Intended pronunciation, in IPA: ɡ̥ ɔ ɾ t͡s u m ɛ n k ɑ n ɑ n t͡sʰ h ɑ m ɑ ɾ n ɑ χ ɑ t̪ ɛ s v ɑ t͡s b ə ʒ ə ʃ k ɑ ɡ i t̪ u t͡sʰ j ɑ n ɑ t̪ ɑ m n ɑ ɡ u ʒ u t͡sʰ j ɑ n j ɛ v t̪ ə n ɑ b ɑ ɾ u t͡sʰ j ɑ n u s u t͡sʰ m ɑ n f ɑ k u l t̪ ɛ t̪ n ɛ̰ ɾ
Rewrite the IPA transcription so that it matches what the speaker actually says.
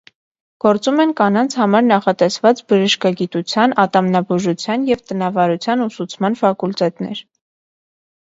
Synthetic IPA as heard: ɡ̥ ɔ ɾ t͡s u m ɛ n k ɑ n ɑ n t͡sʰ h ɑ m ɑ ɾ n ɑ χ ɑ t̪ ɛ s v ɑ t͡s b ə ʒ ə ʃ k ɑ ɡ i t̪ u t͡sʰ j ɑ n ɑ t̪ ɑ m n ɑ b u ʒ u t͡sʰ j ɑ n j ɛ v t̪ ə n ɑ v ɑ ɾ u t͡sʰ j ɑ n u s u t͡sʰ m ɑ n f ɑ k u l t̪ ɛ t̪ n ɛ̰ ɾ